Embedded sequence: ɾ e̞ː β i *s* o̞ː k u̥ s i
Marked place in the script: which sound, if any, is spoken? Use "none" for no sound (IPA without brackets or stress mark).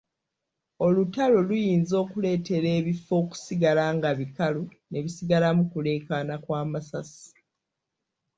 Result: f